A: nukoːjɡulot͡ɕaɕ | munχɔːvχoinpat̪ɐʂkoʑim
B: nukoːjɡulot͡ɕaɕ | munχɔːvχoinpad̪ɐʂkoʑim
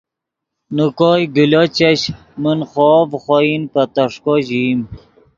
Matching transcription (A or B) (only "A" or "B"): A